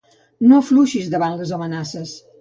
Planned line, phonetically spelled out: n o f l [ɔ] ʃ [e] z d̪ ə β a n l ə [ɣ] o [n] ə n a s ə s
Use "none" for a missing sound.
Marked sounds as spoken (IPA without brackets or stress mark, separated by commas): u, i, z, m